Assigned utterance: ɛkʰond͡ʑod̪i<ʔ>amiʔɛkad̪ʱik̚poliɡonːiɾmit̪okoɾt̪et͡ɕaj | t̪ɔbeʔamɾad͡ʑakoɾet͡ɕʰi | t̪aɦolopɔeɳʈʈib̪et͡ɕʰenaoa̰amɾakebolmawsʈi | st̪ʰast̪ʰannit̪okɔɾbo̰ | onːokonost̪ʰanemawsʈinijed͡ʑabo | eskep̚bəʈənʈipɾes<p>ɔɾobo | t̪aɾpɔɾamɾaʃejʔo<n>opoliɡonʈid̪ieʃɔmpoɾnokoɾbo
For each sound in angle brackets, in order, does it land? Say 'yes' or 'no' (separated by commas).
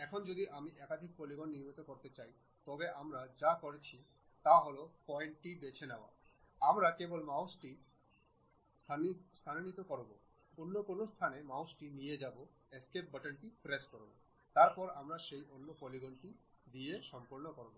yes, no, no